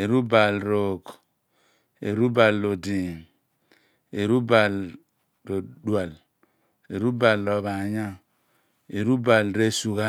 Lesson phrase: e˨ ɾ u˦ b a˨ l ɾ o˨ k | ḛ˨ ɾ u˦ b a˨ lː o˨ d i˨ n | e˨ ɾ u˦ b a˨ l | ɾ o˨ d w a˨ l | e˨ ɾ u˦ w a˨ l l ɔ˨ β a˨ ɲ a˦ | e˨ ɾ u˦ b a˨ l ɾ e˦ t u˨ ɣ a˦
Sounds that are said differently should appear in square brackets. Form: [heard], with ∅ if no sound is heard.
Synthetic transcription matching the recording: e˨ ɾ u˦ b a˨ l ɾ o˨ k | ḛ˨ ɾ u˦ b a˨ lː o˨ d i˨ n | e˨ ɾ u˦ b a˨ l | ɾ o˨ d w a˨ l | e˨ ɾ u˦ [b] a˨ l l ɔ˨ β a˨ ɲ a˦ | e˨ ɾ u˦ b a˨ l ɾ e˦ [s] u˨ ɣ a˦

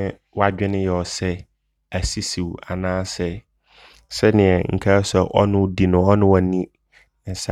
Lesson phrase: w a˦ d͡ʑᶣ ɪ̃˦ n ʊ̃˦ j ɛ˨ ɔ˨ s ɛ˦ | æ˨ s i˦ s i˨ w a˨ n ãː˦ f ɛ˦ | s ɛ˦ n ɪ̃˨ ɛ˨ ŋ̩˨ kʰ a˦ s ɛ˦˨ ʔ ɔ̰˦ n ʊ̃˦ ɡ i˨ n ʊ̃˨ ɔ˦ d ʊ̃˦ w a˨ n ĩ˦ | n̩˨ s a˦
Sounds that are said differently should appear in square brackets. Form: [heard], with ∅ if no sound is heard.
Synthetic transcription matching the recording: w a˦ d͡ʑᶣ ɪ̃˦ n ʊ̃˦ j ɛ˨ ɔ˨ s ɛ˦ | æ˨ s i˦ s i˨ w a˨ n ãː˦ [s] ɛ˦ | s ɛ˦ n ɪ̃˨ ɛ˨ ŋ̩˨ kʰ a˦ s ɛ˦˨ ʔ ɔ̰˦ n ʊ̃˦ [d] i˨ n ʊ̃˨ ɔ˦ [n] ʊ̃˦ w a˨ n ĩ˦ | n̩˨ s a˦

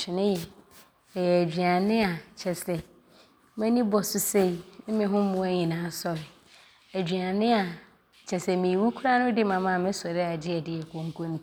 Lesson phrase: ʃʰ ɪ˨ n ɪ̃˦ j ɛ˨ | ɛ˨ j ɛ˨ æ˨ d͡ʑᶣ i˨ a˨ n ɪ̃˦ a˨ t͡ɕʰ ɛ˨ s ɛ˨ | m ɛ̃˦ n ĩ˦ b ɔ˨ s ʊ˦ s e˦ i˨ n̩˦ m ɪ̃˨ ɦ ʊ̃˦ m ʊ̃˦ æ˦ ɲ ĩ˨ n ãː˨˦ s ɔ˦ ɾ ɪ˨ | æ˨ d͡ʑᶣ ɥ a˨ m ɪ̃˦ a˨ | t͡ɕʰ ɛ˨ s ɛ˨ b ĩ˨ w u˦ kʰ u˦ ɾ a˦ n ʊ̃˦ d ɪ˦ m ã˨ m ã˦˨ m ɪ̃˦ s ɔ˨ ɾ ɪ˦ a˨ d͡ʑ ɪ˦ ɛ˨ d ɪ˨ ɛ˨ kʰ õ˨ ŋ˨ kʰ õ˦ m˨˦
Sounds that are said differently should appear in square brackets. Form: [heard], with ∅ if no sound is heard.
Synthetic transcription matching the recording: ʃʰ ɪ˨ n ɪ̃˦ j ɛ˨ | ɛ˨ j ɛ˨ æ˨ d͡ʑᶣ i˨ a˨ n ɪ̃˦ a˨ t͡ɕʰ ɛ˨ s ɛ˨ | m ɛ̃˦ n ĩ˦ b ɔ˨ s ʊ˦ s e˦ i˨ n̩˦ m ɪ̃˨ ɦ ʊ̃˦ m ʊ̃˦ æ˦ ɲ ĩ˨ n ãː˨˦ s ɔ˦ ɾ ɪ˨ | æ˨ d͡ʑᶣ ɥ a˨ [n] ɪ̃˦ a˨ | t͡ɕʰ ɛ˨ s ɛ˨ [m] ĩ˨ w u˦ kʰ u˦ ɾ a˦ n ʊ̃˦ d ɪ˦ m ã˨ m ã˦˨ m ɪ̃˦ s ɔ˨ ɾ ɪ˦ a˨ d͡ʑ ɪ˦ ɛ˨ d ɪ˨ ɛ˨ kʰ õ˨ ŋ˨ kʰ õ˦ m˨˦

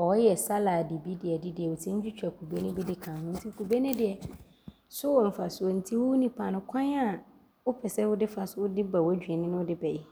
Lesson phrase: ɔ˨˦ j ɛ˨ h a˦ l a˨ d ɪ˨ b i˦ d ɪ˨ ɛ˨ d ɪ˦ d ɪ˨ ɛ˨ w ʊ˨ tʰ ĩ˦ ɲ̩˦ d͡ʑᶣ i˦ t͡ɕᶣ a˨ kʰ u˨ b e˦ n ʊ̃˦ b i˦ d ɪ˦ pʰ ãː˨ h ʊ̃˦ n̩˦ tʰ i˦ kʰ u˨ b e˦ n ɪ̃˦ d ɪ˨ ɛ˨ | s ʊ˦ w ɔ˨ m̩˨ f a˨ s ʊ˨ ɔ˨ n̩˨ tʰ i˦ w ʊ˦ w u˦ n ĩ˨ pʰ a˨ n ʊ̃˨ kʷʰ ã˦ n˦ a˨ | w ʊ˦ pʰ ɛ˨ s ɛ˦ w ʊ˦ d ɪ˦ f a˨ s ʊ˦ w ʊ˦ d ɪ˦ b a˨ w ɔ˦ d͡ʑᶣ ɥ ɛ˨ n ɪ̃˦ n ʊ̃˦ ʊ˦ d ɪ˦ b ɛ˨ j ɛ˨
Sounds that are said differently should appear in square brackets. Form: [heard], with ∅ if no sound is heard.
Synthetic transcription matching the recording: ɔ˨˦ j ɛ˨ [s] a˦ l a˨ d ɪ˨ b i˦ d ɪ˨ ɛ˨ d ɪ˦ d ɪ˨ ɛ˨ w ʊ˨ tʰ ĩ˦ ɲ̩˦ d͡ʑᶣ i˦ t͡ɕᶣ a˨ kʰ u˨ b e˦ n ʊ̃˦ b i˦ d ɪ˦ [kʰ] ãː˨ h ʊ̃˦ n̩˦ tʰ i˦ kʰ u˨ b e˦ n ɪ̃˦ d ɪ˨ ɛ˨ | s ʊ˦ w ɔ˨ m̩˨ f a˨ s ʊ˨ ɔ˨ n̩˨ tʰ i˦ w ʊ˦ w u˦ n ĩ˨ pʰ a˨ n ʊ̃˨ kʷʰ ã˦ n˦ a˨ | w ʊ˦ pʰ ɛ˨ s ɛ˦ w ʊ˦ d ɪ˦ f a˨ s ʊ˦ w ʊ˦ d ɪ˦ b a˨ w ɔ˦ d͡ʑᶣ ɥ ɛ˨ n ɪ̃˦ n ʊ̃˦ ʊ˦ d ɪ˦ b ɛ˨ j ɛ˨

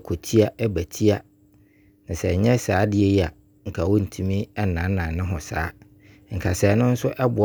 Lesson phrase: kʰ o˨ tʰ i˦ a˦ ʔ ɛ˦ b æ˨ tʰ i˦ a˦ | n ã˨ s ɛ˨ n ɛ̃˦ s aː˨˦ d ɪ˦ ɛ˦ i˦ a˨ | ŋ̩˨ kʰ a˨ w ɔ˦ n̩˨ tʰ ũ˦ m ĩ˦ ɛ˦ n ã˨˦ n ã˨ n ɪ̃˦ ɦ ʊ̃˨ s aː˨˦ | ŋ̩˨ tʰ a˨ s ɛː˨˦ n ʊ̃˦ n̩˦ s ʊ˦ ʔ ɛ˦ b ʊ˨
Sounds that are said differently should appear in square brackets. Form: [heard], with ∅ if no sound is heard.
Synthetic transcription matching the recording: kʰ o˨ tʰ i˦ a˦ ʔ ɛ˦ b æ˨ tʰ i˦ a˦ | n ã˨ s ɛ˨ [ɲ] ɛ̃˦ s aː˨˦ d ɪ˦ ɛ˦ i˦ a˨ | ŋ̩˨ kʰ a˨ w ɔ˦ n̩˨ tʰ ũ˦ m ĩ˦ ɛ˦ n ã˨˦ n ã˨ n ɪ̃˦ ɦ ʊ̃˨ s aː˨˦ | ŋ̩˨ [kʰ] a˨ s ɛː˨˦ n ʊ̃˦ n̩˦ s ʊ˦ ʔ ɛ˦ b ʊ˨

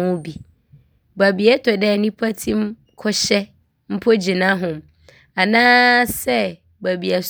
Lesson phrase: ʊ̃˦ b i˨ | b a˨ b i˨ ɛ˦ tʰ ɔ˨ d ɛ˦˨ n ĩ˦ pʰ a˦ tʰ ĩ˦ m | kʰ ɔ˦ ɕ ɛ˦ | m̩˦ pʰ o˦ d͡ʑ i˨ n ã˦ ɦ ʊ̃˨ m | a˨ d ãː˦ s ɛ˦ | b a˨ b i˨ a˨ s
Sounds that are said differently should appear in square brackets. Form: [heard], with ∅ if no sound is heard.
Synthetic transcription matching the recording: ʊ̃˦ b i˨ | b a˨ b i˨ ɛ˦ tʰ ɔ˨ d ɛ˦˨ n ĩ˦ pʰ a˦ tʰ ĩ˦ m | kʰ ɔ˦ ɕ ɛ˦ | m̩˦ pʰ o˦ d͡ʑ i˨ n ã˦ ɦ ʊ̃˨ m | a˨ [n] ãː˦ s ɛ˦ | b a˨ b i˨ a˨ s

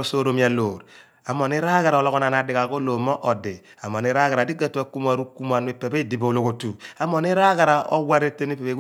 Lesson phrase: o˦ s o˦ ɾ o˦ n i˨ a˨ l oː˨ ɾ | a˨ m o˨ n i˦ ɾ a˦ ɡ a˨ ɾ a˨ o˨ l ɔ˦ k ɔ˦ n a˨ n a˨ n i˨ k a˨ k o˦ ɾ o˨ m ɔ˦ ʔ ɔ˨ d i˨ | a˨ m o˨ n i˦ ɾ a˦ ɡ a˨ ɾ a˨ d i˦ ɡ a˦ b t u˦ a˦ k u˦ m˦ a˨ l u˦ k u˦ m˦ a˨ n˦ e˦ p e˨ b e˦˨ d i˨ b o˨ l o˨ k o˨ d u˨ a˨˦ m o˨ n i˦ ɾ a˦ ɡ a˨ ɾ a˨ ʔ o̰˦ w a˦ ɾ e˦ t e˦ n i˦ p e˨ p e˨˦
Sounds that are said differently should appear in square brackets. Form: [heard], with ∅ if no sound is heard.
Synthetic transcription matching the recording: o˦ s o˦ ɾ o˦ [m] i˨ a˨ l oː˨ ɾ | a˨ m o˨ n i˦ ɾ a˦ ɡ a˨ ɾ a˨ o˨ l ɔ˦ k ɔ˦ n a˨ n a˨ [d] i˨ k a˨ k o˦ [l] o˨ m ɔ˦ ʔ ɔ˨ d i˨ | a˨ m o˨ n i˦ ɾ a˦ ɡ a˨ ɾ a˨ d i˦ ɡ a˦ [∅] t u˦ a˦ k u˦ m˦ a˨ [ɾ] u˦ k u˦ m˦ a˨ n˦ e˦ p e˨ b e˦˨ d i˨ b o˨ l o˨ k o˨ [t] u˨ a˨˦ m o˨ n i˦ ɾ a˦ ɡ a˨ ɾ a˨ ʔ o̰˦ w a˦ ɾ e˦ t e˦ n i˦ p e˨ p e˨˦

